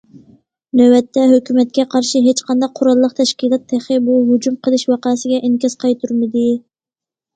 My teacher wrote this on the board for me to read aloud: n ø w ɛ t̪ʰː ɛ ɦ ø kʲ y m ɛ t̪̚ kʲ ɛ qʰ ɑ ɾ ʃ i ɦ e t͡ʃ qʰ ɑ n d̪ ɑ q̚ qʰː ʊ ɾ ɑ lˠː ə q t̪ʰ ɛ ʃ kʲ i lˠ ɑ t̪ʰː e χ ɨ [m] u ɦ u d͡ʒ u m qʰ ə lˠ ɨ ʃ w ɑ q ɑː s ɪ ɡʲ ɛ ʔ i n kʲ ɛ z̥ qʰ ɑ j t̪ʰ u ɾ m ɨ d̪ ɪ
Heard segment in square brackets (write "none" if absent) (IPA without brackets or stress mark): b